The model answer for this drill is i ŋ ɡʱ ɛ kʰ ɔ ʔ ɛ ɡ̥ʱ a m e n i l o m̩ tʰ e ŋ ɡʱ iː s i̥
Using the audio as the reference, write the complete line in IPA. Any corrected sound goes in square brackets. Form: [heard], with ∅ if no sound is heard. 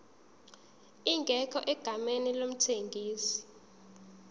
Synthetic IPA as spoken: i ŋ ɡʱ ɛ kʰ ɔ ʔ ɛ ɡ̥ʱ a m e n i l o m̩ tʰ e ŋ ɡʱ iː s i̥